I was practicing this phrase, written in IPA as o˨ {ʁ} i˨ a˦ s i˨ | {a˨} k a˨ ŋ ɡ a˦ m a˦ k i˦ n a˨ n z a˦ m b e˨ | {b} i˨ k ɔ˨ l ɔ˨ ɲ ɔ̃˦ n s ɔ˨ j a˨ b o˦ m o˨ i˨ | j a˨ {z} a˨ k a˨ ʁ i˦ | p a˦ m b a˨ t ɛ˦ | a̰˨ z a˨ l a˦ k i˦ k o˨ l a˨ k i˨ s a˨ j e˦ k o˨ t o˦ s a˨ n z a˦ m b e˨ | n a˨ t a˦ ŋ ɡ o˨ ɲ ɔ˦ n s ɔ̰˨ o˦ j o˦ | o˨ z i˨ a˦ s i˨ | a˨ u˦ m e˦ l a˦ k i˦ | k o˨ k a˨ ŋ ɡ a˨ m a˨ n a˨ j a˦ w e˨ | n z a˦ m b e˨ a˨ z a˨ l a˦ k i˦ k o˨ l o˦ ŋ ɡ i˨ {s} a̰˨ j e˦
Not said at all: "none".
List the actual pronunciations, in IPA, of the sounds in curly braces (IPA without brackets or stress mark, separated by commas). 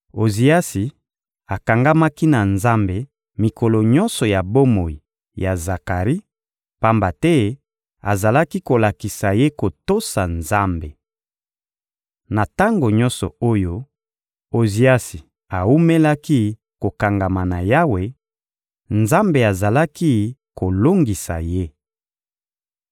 z, a˨, m, z, s